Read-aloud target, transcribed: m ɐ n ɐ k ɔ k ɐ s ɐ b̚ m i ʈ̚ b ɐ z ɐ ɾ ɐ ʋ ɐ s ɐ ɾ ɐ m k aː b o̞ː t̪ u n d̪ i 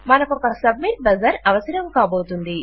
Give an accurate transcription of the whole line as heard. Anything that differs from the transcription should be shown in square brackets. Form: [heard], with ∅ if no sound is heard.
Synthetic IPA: m ɐ n ɐ k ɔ k ɐ s ɐ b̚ m i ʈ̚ b ɐ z ɐ ɾ ɐ ʋ ɐ s ɐ ɾ ɐ m k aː b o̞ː t̪ u n d̪ i